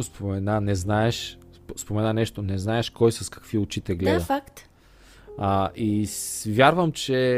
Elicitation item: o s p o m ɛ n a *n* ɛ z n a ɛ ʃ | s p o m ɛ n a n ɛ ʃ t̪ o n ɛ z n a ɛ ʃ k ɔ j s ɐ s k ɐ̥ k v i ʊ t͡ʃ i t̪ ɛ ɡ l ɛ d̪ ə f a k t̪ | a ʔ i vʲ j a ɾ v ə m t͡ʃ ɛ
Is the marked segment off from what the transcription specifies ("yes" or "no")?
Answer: no